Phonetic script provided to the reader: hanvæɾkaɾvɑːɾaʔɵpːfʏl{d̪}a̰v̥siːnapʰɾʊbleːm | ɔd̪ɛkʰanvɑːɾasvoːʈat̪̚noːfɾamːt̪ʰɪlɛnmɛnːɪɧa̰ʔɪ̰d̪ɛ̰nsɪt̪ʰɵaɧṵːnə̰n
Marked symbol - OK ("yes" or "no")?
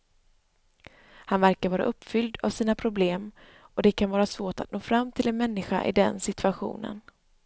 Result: yes